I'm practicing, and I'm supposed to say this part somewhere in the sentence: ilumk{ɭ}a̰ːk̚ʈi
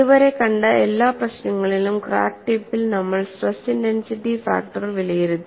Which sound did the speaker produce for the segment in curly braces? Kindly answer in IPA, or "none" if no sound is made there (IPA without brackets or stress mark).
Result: r